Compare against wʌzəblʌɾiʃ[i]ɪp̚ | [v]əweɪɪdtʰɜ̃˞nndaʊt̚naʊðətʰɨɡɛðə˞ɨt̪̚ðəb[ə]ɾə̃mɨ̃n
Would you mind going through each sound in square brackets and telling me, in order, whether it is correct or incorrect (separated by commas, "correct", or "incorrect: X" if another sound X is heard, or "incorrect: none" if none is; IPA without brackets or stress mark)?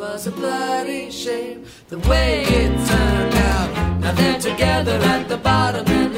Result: incorrect: e, incorrect: ð, incorrect: ɑ